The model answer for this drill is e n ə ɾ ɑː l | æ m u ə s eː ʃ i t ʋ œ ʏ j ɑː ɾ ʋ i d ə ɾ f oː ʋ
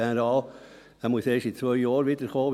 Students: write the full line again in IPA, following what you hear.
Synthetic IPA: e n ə ɾ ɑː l | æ m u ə s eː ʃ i t͡s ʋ œ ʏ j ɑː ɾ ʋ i d ə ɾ χ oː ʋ